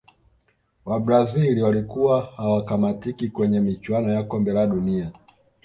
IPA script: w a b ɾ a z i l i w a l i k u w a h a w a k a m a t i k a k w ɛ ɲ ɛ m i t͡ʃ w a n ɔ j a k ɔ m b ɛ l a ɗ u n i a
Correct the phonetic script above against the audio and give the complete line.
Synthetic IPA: w a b ɾ a z i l i w a l i k u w a h a w a k a m a t i k i k w ɛ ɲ ɛ m i t͡ʃ w a n ɔ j a k ɔ m b ɛ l a ɗ u n i a